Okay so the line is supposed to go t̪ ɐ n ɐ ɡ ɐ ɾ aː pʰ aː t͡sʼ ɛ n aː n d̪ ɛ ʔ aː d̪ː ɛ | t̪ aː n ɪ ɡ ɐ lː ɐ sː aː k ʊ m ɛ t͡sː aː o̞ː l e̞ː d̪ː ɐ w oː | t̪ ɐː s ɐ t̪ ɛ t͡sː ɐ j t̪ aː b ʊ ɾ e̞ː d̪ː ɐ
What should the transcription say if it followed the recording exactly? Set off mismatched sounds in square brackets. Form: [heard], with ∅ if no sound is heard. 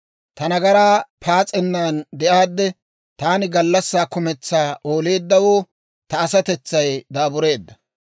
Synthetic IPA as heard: t̪ ɐ n ɐ ɡ ɐ ɾ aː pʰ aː t͡sʼ ɛ [nː] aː n d̪ ɛ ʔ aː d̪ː ɛ | t̪ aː n ɪ ɡ ɐ lː ɐ sː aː k ʊ m ɛ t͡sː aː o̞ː l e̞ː d̪ː ɐ w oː | t̪ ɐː s ɐ t̪ ɛ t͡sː ɐ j [d̪] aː b ʊ ɾ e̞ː d̪ː ɐ